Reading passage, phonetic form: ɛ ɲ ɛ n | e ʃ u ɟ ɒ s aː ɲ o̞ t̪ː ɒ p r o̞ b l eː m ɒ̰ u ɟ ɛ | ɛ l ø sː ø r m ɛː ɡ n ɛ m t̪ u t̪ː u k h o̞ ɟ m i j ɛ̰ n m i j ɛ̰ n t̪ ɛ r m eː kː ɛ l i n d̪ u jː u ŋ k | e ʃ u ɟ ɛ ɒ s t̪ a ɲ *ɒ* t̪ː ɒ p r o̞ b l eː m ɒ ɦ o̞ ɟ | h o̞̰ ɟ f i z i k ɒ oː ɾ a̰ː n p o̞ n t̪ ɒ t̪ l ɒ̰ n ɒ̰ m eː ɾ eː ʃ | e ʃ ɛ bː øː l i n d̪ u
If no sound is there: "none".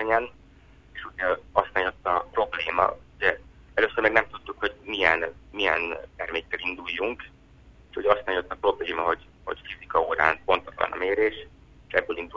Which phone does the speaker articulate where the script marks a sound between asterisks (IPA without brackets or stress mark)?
o